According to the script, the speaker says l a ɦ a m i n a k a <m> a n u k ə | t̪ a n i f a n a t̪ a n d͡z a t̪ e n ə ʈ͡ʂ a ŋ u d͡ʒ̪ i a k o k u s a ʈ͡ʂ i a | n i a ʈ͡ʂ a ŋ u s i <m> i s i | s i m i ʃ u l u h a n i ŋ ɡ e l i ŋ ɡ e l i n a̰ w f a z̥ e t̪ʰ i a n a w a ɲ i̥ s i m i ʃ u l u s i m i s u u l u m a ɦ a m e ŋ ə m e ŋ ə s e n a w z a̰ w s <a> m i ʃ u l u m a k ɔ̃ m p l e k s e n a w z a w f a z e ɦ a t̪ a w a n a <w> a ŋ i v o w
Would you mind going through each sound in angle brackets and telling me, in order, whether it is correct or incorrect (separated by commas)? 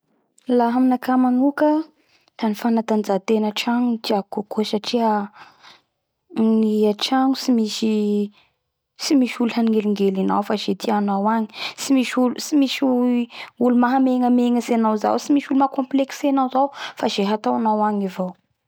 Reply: correct, correct, incorrect, correct